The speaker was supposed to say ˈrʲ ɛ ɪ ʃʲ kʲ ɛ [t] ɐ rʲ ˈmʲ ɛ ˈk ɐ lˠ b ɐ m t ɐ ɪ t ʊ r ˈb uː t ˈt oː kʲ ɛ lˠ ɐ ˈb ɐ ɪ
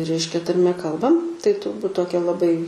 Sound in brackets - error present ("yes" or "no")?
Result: no